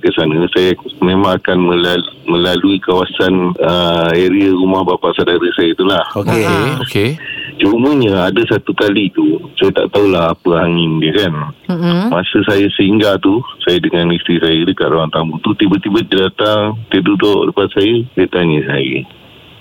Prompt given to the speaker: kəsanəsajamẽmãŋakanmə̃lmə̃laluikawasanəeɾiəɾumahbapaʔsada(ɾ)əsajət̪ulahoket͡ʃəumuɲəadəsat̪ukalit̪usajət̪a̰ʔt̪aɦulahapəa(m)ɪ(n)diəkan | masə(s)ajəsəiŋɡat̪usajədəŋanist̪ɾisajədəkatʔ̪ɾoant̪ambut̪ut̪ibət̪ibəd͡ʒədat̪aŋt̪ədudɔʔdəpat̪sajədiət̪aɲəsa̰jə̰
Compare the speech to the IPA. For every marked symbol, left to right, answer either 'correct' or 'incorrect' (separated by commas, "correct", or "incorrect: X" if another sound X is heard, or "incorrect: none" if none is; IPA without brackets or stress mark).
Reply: correct, incorrect: ŋ, correct, correct